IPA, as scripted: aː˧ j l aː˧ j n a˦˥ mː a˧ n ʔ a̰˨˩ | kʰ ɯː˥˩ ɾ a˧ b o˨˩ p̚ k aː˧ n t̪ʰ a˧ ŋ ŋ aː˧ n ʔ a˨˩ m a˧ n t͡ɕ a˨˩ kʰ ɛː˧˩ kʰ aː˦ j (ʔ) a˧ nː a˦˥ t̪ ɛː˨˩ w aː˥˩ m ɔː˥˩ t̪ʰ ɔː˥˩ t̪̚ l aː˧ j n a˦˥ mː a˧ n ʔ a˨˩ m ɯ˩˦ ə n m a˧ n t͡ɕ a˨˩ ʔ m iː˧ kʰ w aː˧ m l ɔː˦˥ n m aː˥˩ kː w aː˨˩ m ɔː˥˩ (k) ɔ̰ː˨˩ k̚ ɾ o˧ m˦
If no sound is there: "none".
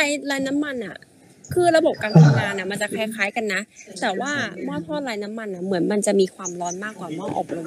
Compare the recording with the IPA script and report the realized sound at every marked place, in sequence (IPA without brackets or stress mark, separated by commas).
k, ʔ